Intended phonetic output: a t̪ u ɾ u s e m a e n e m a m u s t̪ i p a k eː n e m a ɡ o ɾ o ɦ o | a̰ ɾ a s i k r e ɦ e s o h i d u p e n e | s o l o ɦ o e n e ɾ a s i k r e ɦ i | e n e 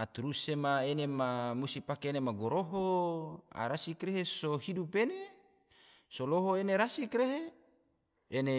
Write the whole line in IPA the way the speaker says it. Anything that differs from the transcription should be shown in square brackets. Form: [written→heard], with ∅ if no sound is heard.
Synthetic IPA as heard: a t̪ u ɾ u s e m a e n e m a m u s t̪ i p a k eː n e m a ɡ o ɾ o ɦ o | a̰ ɾ a s i k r e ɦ e s o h i d u p e n e | s o l o ɦ o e n e ɾ a s i k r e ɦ [i→e] | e n e